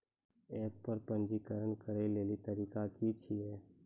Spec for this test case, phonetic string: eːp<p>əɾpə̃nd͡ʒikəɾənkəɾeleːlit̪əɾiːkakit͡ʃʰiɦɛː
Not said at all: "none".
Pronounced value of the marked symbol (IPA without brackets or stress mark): p